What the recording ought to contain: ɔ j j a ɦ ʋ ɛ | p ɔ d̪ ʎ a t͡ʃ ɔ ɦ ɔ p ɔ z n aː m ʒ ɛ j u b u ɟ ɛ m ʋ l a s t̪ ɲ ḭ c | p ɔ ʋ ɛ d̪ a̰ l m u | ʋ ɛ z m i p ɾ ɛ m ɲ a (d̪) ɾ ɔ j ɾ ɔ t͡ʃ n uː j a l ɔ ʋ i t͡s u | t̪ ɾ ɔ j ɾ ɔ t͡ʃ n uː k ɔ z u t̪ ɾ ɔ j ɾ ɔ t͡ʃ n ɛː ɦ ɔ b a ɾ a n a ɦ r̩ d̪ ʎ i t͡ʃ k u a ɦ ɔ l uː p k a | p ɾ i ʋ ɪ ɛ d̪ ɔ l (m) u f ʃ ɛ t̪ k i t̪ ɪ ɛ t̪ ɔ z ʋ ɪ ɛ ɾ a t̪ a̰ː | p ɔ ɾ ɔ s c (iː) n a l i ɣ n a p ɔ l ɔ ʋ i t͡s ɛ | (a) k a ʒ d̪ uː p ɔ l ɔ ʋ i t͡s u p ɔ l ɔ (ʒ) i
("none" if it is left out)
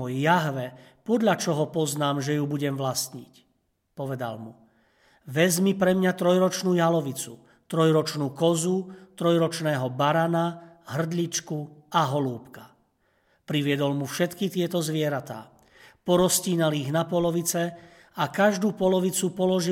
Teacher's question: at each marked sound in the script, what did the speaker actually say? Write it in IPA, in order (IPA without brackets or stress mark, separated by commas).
t̪, m, iː, a, ʒ